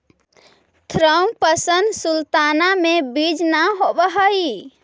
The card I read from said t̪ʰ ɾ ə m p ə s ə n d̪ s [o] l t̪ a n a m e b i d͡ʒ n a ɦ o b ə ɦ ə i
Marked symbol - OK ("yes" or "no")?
no